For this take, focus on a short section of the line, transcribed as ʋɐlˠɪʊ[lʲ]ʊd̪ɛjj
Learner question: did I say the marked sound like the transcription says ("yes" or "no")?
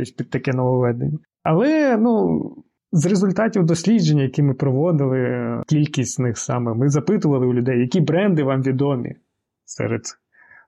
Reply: yes